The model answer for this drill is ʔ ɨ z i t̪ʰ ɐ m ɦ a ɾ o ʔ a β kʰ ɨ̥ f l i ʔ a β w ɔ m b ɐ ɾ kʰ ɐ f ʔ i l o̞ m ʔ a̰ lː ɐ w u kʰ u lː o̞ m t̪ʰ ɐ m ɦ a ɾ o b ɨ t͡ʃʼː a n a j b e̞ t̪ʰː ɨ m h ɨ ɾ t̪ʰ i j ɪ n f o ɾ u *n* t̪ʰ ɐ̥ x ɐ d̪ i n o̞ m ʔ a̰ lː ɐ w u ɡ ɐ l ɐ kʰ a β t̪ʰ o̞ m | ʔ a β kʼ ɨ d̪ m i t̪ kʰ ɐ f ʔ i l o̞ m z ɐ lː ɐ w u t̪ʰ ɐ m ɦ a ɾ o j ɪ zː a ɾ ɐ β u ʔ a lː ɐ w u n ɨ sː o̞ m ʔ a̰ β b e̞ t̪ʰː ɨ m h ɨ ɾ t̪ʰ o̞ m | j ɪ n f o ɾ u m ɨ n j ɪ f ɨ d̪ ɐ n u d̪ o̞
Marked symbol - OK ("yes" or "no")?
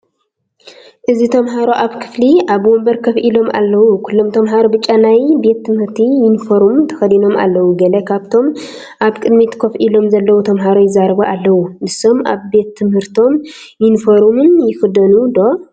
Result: no